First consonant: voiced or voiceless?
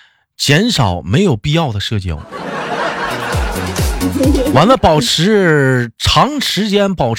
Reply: voiceless